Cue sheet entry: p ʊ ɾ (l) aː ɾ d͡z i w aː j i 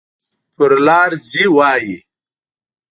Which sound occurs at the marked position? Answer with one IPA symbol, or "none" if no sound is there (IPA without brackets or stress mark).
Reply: l